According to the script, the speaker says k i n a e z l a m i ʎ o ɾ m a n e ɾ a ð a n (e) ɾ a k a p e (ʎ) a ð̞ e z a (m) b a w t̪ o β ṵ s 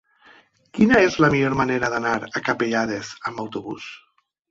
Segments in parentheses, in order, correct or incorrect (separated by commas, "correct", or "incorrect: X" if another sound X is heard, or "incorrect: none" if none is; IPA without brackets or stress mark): incorrect: a, correct, correct